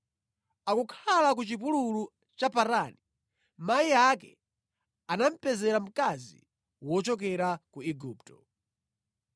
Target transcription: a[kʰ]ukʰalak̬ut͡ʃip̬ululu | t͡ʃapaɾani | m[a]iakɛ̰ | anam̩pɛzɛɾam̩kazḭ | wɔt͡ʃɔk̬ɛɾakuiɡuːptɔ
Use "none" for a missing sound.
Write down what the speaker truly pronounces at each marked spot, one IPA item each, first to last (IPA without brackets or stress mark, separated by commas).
k, a